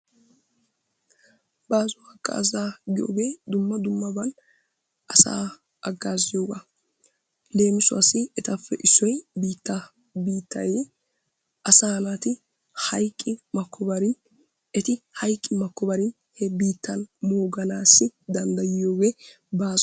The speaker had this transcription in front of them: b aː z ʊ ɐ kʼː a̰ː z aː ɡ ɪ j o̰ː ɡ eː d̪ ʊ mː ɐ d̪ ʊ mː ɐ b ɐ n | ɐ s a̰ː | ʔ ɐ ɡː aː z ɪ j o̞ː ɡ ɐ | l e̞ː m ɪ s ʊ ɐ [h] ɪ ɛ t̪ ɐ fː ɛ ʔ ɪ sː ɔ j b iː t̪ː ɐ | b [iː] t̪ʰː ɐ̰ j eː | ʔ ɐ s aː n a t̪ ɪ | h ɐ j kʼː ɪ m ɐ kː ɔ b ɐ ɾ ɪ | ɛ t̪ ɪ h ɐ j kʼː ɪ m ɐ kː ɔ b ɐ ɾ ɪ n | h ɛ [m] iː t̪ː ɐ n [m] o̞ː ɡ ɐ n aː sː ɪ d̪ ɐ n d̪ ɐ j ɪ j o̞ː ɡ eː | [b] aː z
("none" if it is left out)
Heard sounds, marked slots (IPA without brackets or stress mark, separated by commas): s, iː, b, m, b